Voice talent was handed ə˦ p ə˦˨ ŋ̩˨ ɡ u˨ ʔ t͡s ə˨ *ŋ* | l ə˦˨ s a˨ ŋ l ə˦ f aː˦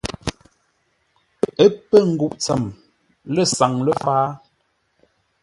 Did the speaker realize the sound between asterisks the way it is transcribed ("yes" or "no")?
no